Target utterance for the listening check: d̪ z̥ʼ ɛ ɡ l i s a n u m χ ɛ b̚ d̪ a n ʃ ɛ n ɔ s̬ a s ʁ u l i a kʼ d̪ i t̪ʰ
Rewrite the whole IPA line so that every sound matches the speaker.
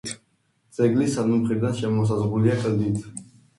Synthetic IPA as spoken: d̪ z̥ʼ ɛ ɡ l i s a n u m χ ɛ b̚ d̪ a n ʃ ɛ m ɔ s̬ a z ʁ u l i a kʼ d̪ i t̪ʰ